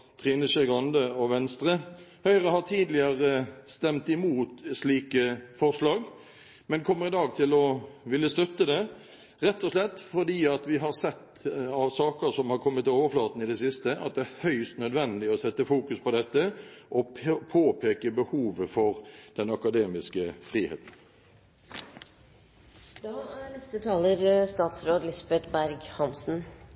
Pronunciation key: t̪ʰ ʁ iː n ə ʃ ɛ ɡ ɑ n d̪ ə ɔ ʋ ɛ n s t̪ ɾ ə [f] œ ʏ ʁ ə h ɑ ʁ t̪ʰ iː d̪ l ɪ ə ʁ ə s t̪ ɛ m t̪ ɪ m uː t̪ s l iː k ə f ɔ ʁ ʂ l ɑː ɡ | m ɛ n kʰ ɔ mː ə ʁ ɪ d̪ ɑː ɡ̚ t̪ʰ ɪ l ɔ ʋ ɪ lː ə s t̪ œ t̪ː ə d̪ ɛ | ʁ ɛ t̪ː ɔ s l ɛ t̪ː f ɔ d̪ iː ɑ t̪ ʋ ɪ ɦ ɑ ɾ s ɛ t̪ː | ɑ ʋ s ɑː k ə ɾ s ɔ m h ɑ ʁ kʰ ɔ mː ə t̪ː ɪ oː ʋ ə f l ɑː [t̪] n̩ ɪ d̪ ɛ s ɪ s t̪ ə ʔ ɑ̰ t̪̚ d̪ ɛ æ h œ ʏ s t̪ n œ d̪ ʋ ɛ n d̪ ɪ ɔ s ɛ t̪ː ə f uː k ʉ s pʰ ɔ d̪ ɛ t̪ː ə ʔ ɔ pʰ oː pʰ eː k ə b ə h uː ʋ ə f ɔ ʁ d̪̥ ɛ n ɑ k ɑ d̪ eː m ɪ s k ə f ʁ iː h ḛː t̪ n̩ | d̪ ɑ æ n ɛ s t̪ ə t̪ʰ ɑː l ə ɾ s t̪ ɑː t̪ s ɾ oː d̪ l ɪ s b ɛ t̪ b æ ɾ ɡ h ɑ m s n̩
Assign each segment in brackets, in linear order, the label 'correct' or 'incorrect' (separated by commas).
incorrect, correct